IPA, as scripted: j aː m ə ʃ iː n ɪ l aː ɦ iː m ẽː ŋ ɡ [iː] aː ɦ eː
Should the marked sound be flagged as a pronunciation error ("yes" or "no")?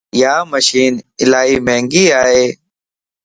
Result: no